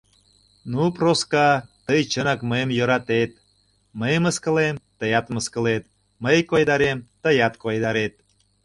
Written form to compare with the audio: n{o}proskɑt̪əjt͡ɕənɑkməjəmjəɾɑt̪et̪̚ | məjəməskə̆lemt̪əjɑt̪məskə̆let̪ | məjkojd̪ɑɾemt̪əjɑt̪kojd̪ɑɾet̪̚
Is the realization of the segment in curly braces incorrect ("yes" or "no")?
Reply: yes